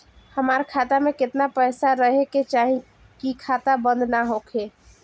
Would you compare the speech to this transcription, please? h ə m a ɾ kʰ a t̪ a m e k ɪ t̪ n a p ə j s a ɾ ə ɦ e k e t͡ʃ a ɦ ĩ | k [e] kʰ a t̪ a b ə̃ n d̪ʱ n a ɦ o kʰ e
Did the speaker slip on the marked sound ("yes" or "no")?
yes